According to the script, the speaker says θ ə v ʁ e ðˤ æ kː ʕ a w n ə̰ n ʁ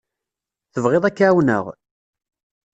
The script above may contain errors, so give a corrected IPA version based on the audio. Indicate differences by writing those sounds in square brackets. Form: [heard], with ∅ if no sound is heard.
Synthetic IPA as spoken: θ ə v ʁ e ðˤ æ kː ʕ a w n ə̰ [∅] ʁ